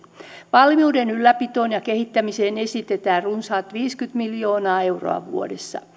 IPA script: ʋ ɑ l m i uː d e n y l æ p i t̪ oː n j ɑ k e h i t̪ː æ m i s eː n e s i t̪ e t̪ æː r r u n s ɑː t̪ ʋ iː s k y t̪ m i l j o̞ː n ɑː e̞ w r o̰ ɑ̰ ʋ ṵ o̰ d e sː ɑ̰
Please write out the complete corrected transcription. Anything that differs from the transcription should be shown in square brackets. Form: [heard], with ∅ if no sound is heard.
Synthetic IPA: ʋ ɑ l m i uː d e n y [lː] æ p i t̪ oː n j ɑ k e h i t̪ː æ m i s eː n e s i t̪ e t̪ æː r r u n s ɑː t̪ ʋ iː s k y t̪ m i l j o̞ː n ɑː e̞ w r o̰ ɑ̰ ʋ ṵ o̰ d e sː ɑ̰